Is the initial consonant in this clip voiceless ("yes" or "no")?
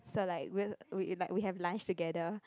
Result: yes